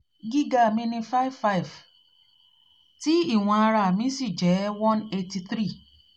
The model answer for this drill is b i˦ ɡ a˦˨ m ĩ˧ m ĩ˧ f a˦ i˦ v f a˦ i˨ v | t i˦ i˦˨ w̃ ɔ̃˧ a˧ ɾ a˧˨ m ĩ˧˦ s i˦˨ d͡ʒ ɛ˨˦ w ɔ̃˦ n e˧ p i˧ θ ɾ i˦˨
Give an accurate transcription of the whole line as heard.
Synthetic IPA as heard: ɡ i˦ ɡ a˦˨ m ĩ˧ n ĩ˧ f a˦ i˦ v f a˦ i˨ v | t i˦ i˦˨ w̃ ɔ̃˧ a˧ ɾ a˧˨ m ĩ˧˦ s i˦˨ d͡ʒ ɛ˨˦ w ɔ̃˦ n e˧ t i˧ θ ɾ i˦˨